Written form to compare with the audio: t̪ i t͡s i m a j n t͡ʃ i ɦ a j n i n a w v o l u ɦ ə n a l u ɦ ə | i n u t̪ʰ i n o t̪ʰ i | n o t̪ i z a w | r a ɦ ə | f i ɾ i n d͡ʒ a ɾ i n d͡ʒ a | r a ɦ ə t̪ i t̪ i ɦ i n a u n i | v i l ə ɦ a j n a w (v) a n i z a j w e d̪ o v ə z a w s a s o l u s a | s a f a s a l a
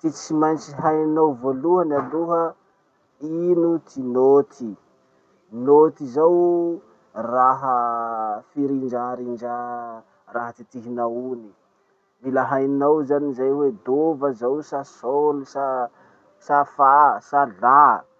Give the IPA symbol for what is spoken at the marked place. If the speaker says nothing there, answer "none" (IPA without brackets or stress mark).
z